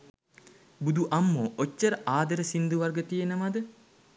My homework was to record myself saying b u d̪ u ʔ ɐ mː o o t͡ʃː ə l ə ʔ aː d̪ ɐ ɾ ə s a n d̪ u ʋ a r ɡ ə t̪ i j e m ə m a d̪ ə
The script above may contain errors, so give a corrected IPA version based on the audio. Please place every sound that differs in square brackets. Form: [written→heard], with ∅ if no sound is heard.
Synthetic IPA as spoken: b u d̪ u ʔ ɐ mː o o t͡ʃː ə [l→ɾ] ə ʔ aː d̪ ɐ ɾ ə s [a→i] n d̪ u ʋ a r ɡ ə t̪ i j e [m→n] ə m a d̪ ə